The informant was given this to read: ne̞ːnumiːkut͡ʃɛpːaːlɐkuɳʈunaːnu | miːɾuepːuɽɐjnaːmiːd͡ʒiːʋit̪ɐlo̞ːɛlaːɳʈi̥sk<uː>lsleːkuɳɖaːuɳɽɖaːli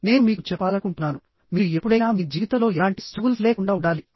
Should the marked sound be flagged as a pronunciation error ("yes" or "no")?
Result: no